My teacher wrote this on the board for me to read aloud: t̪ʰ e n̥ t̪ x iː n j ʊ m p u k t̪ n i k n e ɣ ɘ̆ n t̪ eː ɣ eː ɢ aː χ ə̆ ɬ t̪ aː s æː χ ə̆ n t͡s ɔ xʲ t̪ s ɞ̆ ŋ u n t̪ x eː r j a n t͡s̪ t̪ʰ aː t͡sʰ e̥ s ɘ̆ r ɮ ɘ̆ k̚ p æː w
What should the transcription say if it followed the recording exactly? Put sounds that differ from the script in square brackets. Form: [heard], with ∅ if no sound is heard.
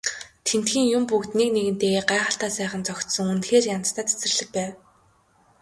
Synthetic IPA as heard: t̪ʰ e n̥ t̪ x iː [ŋ] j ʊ m p u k t̪ n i k n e ɣ ɘ̆ n t̪ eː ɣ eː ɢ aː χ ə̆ ɬ t̪ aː s æː χ ə̆ n t͡s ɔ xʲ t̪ s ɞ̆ ŋ u n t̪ x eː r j a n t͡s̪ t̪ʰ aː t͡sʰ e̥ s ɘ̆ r ɮ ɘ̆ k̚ p æː w